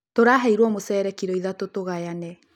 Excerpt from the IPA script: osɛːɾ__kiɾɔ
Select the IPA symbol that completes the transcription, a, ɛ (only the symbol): ɛ